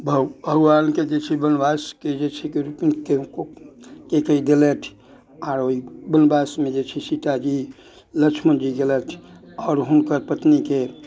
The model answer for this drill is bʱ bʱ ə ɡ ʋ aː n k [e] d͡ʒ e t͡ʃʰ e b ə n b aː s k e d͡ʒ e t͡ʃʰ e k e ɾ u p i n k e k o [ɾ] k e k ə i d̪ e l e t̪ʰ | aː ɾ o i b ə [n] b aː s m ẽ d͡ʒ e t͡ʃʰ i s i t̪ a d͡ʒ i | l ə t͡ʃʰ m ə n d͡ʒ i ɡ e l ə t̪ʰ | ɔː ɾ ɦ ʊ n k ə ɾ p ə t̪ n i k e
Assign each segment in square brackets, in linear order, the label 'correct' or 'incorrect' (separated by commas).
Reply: correct, incorrect, correct